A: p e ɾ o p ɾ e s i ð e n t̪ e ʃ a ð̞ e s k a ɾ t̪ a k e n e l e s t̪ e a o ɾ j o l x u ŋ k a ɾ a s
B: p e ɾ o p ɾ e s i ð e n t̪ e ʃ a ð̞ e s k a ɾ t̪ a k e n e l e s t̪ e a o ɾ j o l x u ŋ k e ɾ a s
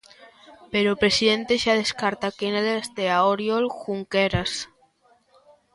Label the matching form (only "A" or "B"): B